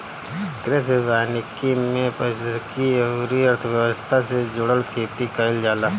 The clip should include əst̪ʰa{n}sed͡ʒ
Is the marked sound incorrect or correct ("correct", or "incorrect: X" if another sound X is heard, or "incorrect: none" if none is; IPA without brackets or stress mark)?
incorrect: none